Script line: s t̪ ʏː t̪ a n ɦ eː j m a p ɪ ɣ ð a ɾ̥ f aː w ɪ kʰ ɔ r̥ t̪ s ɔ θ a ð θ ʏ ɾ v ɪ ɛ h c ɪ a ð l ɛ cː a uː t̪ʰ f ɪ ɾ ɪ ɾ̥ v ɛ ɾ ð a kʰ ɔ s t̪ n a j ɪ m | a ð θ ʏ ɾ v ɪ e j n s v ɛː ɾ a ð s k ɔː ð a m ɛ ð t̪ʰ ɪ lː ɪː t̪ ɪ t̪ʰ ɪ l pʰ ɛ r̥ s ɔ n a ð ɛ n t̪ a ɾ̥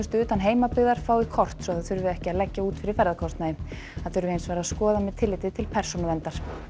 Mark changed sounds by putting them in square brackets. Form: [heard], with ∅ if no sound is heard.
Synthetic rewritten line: s t̪ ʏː t̪ a n ɦ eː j m a p ɪ ɣ ð a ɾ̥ f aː w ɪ kʰ ɔ r̥ t̪ s ɔ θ a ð θ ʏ ɾ v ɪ ɛ h c ɪ a ð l ɛ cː a uː [t̪] f ɪ ɾ ɪ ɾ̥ [f] ɛ ɾ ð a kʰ ɔ s t̪ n a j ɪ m | a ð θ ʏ ɾ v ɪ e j n s v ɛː ɾ a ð s k ɔː ð a m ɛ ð t̪ʰ ɪ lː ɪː t̪ ɪ t̪ʰ ɪ l pʰ ɛ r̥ s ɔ n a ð ɛ n t̪ a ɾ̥